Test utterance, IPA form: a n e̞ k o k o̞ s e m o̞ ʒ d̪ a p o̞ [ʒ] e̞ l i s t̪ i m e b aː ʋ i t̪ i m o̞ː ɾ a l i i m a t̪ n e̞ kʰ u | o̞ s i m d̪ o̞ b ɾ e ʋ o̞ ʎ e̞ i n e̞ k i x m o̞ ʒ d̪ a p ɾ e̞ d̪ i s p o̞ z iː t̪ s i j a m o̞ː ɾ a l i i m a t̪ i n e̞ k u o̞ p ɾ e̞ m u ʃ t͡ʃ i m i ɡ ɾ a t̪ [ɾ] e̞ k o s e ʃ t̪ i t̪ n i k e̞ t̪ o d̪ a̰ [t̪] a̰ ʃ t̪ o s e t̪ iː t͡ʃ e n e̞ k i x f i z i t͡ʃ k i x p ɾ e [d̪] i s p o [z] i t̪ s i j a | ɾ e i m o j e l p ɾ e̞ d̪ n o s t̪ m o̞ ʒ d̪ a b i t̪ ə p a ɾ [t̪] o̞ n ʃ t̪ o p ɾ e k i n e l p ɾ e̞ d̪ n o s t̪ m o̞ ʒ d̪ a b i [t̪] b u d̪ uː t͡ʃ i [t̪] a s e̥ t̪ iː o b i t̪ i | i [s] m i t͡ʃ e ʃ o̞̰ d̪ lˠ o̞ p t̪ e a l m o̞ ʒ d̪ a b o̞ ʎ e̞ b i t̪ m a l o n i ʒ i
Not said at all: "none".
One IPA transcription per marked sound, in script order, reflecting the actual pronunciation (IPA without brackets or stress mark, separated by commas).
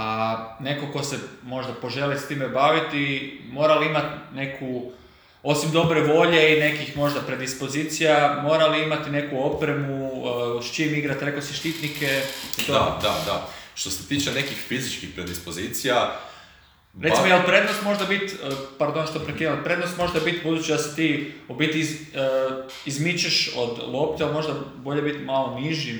ʒ, ɾ, d̪, d̪, z, d̪, t̪, d̪, z